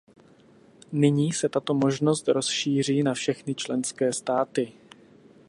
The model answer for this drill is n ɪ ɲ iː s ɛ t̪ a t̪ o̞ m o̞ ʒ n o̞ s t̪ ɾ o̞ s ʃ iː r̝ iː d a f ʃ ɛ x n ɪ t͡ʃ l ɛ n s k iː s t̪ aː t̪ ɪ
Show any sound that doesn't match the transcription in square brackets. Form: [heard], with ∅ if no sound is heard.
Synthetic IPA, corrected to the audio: n ɪ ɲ iː s ɛ t̪ a t̪ o̞ m o̞ ʒ n o̞ s t̪ ɾ o̞ s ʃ iː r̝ iː [n] a f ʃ ɛ x n ɪ t͡ʃ l ɛ n s k [ɛː] s t̪ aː t̪ ɪ